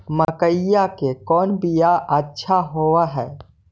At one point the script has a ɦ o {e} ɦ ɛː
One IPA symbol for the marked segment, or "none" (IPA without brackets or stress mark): a